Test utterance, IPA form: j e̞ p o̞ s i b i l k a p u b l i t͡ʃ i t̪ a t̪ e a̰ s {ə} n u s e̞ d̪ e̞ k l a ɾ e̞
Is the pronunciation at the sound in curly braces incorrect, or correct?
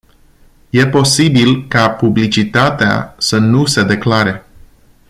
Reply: correct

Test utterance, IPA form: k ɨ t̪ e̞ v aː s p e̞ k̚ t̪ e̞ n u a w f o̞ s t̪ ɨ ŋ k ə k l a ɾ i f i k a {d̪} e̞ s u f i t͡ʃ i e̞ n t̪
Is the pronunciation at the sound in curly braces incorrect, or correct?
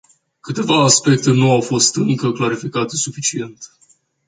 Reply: incorrect: t̪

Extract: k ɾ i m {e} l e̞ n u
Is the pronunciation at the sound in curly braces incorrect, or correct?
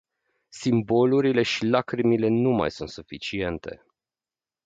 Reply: incorrect: i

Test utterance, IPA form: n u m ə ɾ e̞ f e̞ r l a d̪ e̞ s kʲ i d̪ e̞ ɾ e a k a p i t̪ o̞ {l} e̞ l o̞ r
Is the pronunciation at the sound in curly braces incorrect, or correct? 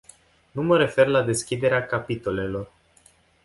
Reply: correct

